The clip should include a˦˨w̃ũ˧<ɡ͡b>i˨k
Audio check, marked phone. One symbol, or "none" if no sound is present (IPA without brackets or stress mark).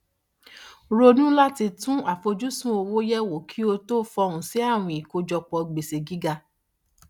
none